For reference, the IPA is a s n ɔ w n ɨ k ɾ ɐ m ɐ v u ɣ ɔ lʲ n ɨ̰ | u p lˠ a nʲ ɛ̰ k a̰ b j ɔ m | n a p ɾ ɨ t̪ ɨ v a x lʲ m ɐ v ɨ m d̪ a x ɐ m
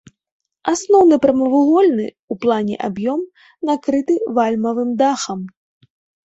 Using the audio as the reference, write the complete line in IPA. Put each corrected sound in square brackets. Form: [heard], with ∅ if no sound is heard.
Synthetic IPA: a s n ɔ w n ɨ [p] ɾ ɐ m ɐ v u ɣ ɔ lʲ n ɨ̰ | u p lˠ a nʲ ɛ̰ [ʔ] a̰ b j ɔ m | n a [k] ɾ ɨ t̪ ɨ v a [∅] lʲ m ɐ v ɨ m d̪ a x ɐ m